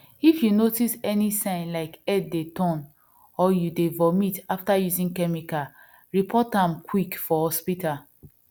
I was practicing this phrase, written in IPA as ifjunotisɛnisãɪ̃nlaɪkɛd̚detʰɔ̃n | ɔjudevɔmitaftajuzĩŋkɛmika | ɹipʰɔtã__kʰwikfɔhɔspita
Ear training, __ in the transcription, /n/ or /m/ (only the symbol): m